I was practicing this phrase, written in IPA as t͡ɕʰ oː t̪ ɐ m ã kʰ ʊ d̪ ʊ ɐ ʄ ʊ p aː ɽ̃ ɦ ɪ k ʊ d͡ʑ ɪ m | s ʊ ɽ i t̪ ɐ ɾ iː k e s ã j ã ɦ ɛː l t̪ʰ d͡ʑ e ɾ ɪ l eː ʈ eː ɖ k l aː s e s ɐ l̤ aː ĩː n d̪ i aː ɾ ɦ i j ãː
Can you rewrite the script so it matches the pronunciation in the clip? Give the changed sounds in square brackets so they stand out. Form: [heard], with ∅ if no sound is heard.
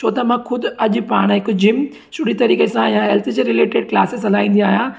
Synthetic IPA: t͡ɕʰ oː t̪ ɐ m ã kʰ ʊ d̪ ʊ ɐ ʄ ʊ p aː ɽ̃ ɦ ɪ k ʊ d͡ʑ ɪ m | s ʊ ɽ i t̪ ɐ ɾ iː k e s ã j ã ɦ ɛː l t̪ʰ d͡ʑ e ɾ ɪ l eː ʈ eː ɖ k l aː s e s ɐ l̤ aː ĩː n d̪ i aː [∅] ɦ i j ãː